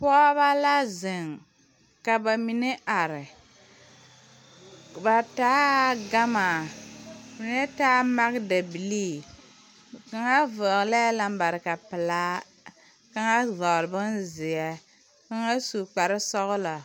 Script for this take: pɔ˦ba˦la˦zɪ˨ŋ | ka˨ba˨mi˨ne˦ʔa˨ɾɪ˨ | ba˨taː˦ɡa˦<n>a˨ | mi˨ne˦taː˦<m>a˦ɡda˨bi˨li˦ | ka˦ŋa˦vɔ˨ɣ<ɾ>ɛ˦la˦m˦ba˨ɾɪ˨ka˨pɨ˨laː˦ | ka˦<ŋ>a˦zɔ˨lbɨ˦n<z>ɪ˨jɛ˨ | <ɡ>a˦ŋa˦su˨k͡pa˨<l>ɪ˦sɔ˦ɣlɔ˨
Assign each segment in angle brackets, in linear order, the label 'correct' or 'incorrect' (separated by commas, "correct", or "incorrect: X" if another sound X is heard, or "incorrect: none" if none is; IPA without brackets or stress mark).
incorrect: m, correct, incorrect: l, correct, correct, incorrect: k, incorrect: ɾ